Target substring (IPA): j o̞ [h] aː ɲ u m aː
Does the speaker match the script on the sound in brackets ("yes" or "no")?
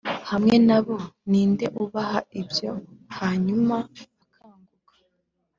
yes